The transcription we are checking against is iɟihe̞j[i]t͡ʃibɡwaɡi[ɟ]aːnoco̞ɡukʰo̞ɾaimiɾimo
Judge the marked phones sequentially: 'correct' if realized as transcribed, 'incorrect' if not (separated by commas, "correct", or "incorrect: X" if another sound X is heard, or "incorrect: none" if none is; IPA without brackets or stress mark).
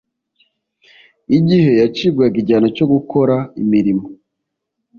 incorrect: a, correct